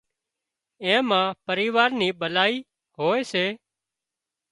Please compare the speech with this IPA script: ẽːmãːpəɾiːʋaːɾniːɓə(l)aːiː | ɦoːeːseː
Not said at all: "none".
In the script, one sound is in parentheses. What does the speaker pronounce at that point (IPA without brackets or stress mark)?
l